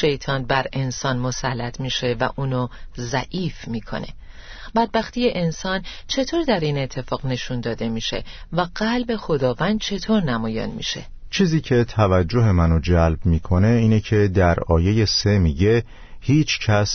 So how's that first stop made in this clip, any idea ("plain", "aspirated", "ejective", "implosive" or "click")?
aspirated